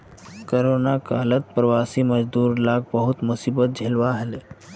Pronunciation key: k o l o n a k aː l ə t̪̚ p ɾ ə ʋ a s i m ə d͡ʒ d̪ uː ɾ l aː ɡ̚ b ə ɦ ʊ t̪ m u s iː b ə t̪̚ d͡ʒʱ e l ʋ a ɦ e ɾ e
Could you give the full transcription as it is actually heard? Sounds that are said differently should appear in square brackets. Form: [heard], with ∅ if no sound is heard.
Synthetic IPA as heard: k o [ɾ] o n a k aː l ə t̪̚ p ɾ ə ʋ a s i m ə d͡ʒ d̪ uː ɾ l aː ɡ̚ b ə ɦ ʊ t̪ m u s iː b ə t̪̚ d͡ʒʱ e l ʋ a ɦ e [l] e